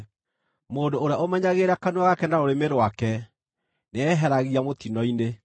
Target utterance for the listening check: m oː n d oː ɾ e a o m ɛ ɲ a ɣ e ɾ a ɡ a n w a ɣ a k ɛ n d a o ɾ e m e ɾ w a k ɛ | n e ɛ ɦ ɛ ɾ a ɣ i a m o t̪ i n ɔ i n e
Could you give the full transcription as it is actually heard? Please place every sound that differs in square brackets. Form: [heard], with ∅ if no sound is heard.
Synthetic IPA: m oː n d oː ɾ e a o m ɛ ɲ a ɣ e ɾ a [k] a n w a ɣ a k ɛ n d a o ɾ e m e ɾ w a k ɛ | n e ɛ ɦ ɛ ɾ a ɣ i a m o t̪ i n ɔ i n e

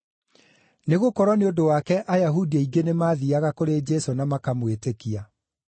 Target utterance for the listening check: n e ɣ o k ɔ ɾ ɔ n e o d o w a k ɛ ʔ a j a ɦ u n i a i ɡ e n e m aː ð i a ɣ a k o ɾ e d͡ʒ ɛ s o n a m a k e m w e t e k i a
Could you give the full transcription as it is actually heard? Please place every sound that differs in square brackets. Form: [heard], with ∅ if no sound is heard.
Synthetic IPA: n e ɣ o k ɔ ɾ ɔ n e o d o w a k ɛ ʔ a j a ɦ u [d] i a i ɡ e n e m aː ð i a ɣ a k o ɾ e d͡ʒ ɛ s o n a m a k [a] m w e t e k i a

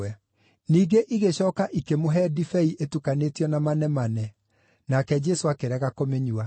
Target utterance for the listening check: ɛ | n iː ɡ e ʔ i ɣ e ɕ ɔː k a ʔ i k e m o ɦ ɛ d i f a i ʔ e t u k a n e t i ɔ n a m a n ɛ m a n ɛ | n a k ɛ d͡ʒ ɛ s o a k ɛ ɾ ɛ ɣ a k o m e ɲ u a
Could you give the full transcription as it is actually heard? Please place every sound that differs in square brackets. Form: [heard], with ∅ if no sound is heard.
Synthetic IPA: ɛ | n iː ɡ e ʔ i ɣ e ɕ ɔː k a ʔ i k e m o ɦ ɛ d i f [ɛ] i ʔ e t u k a n e t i ɔ n a m a n ɛ m a n ɛ | n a k ɛ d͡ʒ ɛ s o a k [e] ɾ ɛ ɣ a k o m e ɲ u a

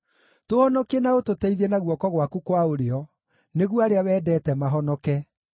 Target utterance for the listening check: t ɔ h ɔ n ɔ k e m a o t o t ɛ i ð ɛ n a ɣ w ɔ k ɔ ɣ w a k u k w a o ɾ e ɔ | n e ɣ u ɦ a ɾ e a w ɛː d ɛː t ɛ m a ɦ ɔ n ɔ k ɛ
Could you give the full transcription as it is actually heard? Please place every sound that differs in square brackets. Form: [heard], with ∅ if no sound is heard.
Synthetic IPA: t [o] h ɔ n ɔ k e [n] a o t o t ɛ i ð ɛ n a ɣ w ɔ k ɔ ɣ w a k u k w a o ɾ e ɔ | n e ɣ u [∅] a ɾ e a w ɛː d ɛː t ɛ m a ɦ ɔ n ɔ k ɛ

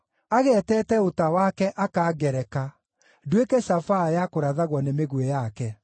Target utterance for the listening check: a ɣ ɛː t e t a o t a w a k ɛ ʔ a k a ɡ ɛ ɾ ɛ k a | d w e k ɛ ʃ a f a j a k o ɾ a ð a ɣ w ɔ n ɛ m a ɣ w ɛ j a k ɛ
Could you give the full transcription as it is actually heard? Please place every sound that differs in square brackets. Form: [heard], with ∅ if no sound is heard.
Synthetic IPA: a ɣ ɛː t [ɛ] t [ɛ] o t a w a k ɛ ʔ a k a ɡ ɛ ɾ ɛ k a | d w e k ɛ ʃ a f a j a k o ɾ a ð a ɣ w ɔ n [e] m [e] ɣ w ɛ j a k ɛ

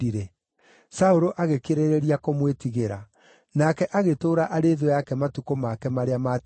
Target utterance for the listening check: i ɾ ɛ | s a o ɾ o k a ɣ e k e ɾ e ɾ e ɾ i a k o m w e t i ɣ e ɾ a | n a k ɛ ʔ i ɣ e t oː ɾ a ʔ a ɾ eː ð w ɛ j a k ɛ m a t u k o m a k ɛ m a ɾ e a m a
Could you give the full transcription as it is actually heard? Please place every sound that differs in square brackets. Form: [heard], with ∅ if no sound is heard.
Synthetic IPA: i ɾ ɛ | s a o ɾ o [ʔ] a ɣ e k e ɾ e ɾ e ɾ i a k o m w e t i ɣ e ɾ a | n a k ɛ ʔ [a] ɣ e t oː ɾ a ʔ a ɾ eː ð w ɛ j a k ɛ m a t u k o m a k ɛ m a ɾ e a m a

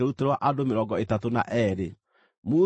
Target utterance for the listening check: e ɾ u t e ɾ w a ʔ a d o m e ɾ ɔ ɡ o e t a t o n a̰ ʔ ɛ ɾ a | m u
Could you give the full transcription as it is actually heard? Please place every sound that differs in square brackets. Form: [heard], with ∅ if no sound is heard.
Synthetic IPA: e ɾ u t e ɾ w a ʔ a d o m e ɾ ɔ ɡ [ɔ] e t a t o n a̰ ʔ ɛ ɾ [e] | m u

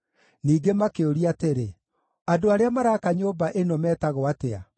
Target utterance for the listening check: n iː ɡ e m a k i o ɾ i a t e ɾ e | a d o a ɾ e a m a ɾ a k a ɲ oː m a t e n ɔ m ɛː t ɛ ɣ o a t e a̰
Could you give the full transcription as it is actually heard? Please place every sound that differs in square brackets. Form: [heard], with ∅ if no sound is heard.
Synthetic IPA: n iː ɡ e m a k [e] o ɾ i a t e ɾ e | a d o a ɾ e a m a ɾ a k a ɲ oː [b] a [ʔ] e n ɔ m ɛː t [a] ɣ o a t e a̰

